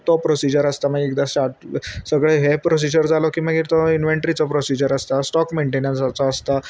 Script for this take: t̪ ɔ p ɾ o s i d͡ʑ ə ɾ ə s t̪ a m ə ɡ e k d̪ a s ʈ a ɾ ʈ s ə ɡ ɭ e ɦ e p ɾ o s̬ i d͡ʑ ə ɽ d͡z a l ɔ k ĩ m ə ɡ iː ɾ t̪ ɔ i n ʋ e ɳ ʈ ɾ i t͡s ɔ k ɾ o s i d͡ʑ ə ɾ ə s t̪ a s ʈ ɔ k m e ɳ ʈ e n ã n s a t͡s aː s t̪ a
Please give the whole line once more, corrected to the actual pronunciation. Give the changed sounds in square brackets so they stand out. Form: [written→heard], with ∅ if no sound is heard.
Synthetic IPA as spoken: t̪ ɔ p ɾ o s i d͡ʑ ə ɾ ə s t̪ a m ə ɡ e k d̪ a s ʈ a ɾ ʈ s ə ɡ ɭ e ɦ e p ɾ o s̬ i d͡ʑ ə [ɽ→ɾ] d͡z a l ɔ k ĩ m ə ɡ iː ɾ t̪ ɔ i n ʋ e ɳ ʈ ɾ i t͡s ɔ [k→p] ɾ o s i d͡ʑ ə ɾ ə s t̪ a s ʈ ɔ k m e ɳ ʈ e n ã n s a t͡s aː s t̪ a